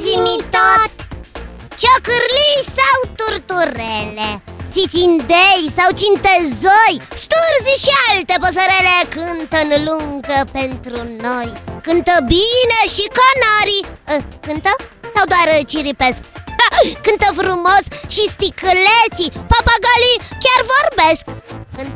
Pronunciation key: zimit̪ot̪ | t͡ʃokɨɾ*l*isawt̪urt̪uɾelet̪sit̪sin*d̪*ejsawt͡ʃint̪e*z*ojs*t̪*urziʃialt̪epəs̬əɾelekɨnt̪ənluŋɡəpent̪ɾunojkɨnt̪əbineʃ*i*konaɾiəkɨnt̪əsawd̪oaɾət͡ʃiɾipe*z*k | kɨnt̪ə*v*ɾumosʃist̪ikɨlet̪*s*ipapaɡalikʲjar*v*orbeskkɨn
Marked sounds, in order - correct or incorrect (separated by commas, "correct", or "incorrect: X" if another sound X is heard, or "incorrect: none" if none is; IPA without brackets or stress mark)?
correct, correct, correct, correct, correct, incorrect: s, incorrect: f, correct, correct